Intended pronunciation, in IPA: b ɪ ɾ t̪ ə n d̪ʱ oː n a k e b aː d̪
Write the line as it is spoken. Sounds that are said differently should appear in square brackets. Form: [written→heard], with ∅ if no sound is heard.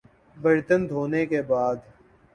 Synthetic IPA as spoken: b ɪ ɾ t̪ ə n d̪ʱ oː n [a→e] k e b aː d̪